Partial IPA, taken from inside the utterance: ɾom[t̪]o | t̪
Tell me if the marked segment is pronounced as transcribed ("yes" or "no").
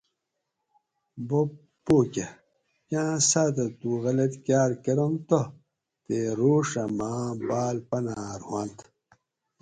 yes